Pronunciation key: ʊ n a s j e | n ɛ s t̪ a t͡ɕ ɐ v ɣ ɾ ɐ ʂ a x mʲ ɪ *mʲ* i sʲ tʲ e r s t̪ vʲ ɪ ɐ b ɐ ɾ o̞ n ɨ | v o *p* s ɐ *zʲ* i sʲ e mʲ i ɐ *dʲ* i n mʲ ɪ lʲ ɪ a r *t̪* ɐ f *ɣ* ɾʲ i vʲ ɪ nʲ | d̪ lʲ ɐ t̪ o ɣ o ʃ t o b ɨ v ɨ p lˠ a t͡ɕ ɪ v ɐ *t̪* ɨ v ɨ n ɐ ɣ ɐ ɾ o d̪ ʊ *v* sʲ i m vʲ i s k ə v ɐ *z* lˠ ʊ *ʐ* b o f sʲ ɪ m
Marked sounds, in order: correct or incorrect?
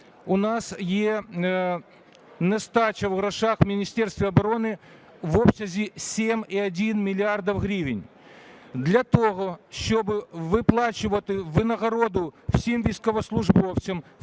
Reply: incorrect: nʲ, correct, correct, correct, incorrect: d̪, correct, correct, incorrect: f, incorrect: s, correct

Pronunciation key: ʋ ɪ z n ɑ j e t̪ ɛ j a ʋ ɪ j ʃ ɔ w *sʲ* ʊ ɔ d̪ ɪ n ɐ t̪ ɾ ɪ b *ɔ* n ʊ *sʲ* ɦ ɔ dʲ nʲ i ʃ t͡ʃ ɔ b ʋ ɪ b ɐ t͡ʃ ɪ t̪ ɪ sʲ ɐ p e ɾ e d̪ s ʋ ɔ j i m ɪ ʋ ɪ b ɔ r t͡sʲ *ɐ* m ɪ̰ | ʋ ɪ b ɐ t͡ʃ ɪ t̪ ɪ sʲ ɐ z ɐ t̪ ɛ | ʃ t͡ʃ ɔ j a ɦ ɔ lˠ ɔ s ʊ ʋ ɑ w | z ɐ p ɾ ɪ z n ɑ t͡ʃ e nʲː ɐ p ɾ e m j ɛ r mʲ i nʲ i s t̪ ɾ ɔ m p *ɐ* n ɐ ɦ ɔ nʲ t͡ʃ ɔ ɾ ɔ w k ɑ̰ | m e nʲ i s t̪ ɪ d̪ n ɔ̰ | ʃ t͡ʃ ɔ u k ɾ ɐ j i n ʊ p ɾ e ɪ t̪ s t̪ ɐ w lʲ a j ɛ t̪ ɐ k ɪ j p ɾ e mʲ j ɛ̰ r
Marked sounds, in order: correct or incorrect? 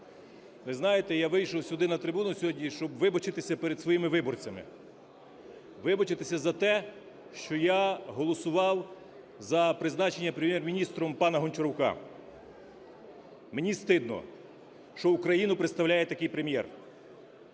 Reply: correct, incorrect: u, correct, correct, incorrect: ɑ

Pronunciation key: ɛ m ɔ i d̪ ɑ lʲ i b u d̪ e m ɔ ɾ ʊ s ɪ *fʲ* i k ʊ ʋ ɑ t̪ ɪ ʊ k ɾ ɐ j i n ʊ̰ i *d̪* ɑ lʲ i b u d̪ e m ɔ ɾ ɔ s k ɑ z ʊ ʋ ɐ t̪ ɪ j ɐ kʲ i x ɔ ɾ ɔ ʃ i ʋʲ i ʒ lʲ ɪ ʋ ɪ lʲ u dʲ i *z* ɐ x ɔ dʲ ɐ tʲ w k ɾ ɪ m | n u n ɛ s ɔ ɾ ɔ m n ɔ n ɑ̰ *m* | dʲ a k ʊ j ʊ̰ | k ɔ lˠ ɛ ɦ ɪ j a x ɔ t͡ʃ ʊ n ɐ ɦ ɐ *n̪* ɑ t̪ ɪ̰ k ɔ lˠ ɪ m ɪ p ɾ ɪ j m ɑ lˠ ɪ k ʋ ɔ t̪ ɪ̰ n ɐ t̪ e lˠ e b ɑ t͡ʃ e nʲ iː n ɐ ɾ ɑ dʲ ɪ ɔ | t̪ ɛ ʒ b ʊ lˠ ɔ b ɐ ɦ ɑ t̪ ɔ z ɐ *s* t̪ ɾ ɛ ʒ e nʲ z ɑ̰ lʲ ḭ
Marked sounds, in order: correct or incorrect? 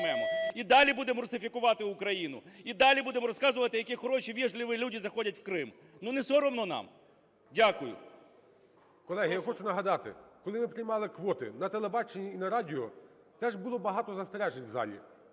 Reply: correct, correct, correct, correct, incorrect: d̪, correct

